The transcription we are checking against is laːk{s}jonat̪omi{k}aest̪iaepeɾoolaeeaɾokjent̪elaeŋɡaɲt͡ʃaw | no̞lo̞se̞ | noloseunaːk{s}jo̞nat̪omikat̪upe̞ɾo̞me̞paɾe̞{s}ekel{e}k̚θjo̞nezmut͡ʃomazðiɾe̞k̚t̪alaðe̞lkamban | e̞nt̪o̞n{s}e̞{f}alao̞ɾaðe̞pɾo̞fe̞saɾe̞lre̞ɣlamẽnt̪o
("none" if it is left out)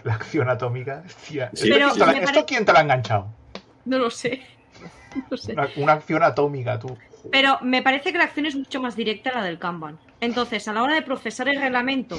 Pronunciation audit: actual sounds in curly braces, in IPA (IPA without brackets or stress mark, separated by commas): θ, k, θ, θ, a, θ, s